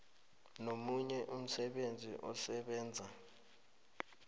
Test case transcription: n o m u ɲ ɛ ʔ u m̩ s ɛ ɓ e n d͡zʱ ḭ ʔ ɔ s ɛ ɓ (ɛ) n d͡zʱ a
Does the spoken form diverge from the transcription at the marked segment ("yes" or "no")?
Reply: yes